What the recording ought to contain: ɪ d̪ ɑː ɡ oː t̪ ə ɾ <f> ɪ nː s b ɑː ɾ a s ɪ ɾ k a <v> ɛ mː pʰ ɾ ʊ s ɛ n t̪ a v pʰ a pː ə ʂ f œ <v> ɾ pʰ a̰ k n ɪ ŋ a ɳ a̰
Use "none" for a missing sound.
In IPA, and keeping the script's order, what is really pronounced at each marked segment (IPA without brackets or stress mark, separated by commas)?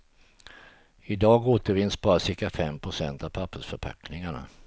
v, f, none